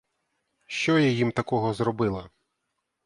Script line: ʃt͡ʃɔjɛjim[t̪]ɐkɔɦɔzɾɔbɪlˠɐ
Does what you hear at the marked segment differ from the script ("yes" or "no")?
no